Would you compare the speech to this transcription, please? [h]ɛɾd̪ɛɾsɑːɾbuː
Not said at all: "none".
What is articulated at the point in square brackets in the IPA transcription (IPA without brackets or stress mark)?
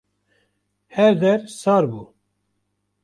h